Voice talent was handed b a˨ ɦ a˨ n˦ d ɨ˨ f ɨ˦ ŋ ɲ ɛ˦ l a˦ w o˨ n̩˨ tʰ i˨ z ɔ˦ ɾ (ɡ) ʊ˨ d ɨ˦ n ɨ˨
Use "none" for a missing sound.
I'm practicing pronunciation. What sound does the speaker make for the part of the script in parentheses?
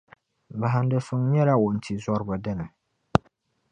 b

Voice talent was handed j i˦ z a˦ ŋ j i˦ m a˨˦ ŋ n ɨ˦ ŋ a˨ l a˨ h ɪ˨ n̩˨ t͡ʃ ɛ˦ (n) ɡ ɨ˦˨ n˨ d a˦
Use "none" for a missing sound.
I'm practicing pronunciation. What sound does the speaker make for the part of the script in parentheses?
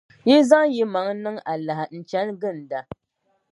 n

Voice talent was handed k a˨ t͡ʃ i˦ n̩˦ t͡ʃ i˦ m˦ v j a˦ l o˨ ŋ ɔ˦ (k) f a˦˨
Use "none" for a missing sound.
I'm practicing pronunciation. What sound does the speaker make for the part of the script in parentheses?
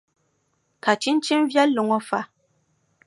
none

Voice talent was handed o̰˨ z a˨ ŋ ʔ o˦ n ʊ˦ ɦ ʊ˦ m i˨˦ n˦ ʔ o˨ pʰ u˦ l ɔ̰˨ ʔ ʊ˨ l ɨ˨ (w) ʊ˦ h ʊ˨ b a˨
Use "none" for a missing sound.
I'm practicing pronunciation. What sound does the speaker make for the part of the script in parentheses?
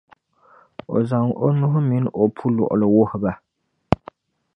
w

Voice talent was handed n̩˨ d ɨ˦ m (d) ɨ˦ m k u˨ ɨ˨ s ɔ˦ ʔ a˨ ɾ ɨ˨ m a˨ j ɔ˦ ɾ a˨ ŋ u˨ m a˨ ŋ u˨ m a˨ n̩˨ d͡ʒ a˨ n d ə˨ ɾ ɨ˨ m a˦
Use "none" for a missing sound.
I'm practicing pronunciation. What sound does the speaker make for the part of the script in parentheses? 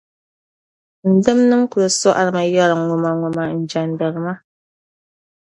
n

